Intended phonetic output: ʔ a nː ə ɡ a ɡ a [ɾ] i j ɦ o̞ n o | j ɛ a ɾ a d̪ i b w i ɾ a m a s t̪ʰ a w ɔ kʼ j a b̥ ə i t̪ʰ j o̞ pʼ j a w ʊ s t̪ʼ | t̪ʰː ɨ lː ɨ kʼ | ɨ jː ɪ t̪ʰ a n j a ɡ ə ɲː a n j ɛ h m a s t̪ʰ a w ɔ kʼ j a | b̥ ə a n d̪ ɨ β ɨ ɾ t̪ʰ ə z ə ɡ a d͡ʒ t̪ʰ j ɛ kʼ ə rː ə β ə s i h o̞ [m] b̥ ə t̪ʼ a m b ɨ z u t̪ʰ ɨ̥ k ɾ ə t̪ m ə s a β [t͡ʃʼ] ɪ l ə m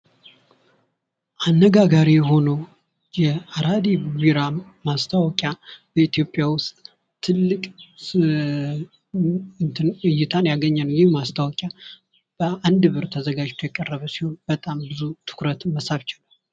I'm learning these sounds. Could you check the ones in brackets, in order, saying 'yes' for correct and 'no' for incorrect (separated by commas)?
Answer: yes, no, no